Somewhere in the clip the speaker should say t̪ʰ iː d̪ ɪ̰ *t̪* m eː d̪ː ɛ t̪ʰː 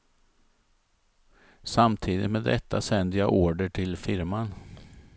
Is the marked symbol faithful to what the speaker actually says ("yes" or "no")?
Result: yes